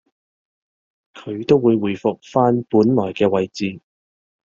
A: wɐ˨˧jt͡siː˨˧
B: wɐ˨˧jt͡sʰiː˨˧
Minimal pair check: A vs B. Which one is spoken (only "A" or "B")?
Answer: A